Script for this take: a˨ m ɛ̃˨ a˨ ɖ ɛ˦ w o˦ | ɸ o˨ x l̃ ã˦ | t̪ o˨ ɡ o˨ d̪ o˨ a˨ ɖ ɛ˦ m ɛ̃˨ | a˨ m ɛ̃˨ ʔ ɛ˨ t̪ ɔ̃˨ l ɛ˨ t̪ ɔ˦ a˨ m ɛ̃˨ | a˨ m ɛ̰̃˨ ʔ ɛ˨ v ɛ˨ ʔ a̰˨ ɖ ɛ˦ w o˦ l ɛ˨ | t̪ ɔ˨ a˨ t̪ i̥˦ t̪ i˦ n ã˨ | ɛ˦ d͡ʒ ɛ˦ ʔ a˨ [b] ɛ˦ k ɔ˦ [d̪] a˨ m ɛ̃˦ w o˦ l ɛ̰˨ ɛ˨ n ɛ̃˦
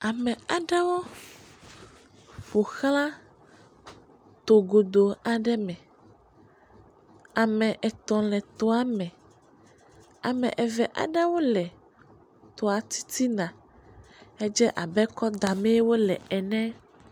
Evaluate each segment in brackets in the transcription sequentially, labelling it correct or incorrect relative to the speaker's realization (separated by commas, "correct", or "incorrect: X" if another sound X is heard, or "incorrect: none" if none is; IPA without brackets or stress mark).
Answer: correct, correct